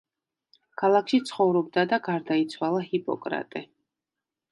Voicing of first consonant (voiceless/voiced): voiceless